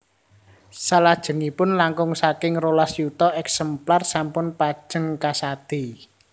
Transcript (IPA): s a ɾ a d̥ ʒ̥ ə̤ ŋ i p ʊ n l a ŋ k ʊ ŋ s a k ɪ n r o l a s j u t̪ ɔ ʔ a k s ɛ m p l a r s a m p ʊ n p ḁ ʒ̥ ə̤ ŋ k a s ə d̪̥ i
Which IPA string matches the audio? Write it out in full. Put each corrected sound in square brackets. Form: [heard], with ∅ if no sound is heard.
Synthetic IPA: s a [l] a d̥ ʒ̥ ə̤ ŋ i p ʊ n l a ŋ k ʊ ŋ s a k ɪ [ŋ] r o l a s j u t̪ ɔ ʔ [ɛ] k s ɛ m p l a r s a m p ʊ n p ḁ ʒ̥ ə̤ ŋ k a s [a] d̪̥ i